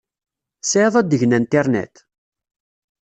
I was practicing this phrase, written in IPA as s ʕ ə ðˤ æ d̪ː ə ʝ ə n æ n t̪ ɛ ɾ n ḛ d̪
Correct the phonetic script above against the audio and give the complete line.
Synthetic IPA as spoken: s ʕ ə ðˤ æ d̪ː ə ʝ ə n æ n t̪ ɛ ɾ n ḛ t̪